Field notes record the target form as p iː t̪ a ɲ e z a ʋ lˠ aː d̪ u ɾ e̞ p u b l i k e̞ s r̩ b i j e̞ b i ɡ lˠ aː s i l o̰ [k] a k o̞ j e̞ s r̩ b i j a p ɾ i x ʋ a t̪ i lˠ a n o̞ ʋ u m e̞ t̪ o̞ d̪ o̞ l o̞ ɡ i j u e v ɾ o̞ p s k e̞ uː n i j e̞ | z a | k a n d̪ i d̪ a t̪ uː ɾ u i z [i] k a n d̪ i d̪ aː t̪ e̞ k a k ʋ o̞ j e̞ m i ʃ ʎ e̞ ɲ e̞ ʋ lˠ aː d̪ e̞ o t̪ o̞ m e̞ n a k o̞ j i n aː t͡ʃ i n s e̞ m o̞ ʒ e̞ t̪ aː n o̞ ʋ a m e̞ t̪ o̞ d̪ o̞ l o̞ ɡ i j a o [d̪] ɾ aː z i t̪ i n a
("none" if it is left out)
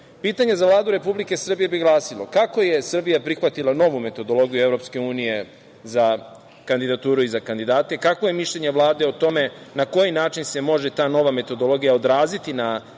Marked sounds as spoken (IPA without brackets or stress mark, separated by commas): k, a, d̪